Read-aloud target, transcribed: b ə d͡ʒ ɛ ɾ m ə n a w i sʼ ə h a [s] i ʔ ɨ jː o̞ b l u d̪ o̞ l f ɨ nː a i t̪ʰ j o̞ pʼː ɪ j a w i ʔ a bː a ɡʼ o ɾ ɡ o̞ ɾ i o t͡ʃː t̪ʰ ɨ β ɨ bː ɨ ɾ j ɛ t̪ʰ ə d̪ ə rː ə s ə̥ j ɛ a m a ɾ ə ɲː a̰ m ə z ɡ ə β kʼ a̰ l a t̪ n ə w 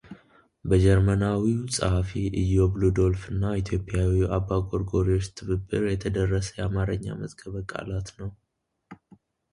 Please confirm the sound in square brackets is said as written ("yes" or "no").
no